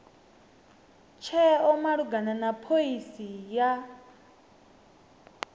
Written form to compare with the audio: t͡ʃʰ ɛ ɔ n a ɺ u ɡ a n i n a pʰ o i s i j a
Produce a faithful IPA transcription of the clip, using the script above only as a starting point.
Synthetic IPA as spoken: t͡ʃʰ ɛ ɔ m a ɺ u ɡ a n a n a pʰ o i s i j a